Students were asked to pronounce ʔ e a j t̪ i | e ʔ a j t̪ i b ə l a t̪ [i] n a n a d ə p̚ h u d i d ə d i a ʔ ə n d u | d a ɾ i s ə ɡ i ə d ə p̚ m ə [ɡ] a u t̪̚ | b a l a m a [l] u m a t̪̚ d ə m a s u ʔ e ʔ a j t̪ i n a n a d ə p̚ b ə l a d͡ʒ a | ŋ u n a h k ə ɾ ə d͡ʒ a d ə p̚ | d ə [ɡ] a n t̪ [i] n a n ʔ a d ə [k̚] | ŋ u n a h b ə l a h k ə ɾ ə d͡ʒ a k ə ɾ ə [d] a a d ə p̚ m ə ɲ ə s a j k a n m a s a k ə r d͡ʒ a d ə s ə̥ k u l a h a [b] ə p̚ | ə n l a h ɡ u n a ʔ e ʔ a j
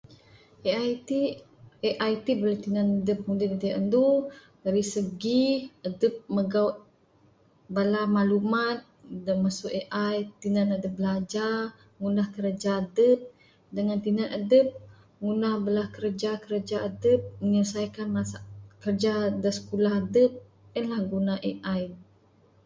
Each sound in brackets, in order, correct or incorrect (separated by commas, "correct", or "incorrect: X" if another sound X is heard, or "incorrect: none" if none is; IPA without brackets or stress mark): correct, correct, correct, incorrect: ŋ, correct, incorrect: p̚, incorrect: d͡ʒ, incorrect: d